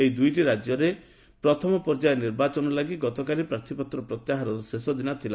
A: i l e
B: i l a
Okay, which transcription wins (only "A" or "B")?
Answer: B